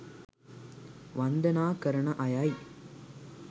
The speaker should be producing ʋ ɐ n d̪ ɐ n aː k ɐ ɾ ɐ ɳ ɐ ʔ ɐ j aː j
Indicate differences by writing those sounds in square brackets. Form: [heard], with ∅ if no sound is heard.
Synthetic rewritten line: ʋ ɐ n d̪ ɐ n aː k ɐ ɾ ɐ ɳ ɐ ʔ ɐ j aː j